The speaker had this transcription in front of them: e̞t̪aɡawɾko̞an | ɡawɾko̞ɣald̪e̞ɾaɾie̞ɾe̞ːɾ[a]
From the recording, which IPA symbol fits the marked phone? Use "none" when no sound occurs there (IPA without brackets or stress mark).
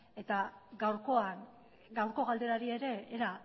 a